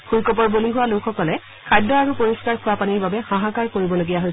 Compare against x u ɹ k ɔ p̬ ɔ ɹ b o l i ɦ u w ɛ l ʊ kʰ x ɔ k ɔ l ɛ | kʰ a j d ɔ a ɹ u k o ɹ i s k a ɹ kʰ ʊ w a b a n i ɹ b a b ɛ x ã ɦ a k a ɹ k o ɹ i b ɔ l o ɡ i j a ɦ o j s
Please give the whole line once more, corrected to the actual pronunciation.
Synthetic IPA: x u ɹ k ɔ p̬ ɔ ɹ b o l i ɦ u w a l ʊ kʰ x ɔ k ɔ l ɛ | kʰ a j d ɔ a ɹ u p o ɹ i s k a ɹ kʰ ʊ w a p a n i ɹ b a b ɛ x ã ɦ a k a ɹ k o ɹ i b ɔ l o ɡ i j a ɦ o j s